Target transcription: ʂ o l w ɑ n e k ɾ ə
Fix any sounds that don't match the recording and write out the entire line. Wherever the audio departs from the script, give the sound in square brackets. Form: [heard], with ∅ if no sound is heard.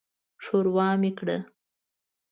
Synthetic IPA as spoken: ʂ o [ɾ] w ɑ [m] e k [ɽ] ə